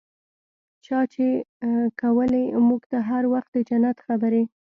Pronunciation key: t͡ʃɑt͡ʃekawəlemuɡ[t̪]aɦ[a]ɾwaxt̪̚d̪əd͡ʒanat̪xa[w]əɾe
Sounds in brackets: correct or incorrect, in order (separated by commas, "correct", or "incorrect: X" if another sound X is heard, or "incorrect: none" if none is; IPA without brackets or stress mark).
correct, correct, incorrect: b